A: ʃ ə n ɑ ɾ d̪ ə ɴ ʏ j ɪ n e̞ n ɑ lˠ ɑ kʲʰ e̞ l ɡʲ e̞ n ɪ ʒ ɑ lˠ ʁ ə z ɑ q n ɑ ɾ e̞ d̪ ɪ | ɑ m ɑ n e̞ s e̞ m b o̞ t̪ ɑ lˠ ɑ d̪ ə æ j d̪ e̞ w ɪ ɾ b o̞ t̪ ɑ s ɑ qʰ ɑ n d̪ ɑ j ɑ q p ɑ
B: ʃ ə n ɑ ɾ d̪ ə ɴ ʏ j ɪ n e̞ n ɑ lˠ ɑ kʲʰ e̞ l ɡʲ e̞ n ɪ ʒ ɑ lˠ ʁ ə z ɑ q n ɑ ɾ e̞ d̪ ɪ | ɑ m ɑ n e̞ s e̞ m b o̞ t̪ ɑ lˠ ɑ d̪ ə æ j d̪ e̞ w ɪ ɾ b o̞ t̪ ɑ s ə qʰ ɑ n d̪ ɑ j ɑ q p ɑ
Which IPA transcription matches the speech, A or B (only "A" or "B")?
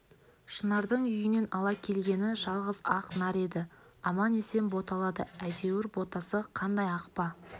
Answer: B